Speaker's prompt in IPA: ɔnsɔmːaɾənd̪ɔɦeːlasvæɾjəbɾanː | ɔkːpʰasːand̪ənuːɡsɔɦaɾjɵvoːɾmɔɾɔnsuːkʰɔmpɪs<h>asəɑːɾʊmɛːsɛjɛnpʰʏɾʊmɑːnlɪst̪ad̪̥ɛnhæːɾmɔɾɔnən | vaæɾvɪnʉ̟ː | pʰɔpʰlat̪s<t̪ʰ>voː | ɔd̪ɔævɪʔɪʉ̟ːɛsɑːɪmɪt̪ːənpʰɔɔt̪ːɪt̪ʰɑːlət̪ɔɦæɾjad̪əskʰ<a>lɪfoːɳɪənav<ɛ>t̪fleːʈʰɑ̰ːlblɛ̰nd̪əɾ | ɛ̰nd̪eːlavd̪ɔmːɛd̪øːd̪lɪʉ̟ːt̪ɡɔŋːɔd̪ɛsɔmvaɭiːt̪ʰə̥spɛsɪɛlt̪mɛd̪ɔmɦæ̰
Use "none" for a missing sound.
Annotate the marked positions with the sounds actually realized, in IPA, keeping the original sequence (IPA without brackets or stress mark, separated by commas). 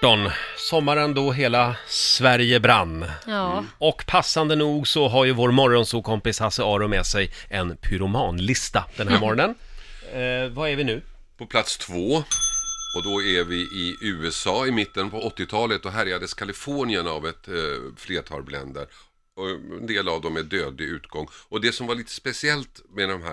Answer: h, t̪ʰ, a, ɛ